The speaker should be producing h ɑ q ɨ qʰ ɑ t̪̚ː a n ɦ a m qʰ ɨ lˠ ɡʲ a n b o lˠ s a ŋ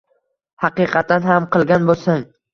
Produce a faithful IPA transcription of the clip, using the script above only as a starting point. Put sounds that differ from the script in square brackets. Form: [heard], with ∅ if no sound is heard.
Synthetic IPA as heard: h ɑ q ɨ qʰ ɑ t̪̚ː a n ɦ a m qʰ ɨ lˠ ɡʲ a n b o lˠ s a ŋ